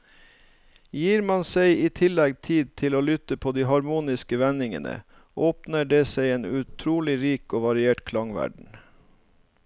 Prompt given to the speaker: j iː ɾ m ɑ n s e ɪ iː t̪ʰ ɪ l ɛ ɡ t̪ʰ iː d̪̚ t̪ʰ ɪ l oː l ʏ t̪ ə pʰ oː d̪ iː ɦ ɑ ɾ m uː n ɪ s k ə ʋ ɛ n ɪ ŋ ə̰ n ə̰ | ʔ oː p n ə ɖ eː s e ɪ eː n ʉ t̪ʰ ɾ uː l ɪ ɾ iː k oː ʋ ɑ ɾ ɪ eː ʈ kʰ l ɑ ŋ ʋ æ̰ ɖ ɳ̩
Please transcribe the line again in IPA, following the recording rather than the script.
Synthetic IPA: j iː ɾ m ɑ n s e ɪ iː t̪ʰ ɪ l ɛ ɡ t̪ʰ iː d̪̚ t̪ʰ ɪ l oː l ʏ t̪ ə pʰ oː d̪ iː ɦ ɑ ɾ m uː n ɪ s k ə ʋ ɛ n ɪ ŋ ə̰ n ə̰ | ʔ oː p n ə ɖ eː s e ɪ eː n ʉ t̪ʰ ɾ uː l ɪ ɾ iː k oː ʋ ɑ ɾ ɪ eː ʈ kʰ l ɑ ŋ ʋ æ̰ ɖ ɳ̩